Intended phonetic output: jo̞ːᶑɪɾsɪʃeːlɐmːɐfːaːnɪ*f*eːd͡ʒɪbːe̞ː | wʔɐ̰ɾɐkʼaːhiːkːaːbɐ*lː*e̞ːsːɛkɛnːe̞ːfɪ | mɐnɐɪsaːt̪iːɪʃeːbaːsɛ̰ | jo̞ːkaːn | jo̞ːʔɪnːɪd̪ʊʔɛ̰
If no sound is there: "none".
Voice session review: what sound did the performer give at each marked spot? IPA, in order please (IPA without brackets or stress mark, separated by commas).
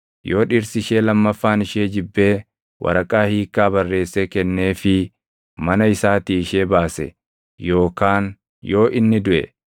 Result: ʃ, rː